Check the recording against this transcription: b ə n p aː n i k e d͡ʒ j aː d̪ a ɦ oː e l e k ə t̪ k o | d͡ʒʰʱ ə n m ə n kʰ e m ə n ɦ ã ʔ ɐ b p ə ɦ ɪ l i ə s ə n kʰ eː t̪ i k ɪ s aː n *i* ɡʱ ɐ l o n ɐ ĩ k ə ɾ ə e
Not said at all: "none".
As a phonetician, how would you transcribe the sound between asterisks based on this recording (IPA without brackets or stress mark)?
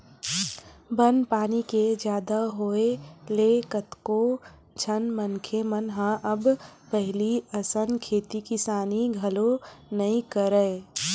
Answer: i